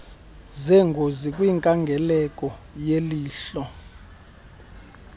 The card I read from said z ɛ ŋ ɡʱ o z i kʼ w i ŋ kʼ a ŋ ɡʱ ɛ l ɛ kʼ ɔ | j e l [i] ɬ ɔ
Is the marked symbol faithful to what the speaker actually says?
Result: no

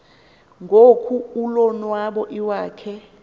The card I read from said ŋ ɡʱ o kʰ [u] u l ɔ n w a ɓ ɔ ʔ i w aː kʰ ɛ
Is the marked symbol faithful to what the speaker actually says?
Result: yes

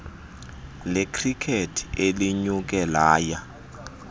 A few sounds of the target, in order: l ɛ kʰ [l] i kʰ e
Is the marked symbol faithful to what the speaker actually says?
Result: no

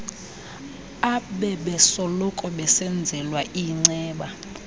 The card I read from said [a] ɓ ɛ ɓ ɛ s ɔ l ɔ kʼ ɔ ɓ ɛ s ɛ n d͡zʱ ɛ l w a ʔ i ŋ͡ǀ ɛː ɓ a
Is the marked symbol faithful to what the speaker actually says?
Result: yes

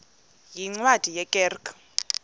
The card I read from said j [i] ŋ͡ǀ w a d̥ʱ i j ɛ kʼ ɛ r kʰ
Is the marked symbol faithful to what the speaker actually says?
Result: yes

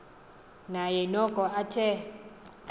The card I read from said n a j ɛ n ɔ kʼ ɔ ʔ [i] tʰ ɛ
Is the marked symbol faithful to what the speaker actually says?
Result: no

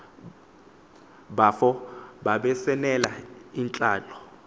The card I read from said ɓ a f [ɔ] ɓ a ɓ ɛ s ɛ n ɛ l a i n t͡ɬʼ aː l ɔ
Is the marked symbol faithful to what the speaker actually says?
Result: yes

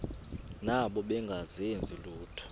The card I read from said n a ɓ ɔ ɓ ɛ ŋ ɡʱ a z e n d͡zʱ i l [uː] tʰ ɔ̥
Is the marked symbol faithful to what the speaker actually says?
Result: yes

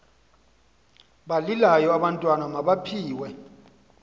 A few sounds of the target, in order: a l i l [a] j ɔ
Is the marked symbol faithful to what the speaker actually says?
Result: yes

